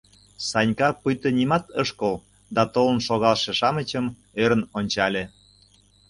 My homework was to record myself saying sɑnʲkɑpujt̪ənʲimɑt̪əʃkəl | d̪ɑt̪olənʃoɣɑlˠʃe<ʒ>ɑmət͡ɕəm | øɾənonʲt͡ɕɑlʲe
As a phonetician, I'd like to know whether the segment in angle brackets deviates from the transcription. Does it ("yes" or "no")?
yes